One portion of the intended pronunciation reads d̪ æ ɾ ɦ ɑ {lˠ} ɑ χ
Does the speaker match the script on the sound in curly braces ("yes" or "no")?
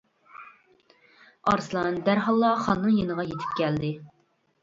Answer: no